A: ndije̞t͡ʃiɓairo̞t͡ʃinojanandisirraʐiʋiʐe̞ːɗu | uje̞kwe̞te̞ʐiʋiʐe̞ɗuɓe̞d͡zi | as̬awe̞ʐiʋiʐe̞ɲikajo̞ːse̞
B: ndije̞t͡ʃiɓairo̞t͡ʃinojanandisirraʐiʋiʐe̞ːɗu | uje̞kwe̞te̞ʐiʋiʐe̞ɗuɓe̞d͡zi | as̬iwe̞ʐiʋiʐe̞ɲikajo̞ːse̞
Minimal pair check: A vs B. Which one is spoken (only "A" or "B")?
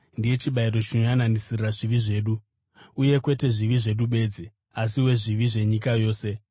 B